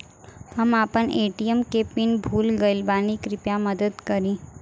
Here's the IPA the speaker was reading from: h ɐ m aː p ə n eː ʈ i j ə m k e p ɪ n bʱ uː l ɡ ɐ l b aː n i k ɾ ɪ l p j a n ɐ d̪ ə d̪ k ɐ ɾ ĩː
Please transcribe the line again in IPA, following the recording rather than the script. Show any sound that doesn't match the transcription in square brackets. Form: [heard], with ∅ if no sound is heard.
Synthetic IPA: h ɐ m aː p ə n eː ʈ i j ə m k e p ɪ n bʱ uː l ɡ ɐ l b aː n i k ɾ ɪ [∅] p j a [m] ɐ d̪ ə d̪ k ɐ ɾ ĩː